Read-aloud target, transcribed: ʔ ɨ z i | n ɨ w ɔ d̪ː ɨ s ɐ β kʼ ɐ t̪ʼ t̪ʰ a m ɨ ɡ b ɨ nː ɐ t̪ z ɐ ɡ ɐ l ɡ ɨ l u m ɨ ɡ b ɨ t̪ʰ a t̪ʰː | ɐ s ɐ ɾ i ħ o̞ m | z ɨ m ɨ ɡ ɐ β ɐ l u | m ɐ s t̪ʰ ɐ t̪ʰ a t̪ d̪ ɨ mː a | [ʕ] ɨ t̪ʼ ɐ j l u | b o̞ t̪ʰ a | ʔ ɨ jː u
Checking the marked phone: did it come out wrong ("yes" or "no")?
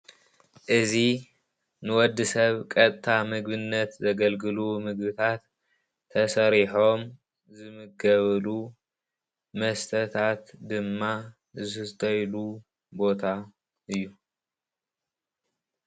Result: yes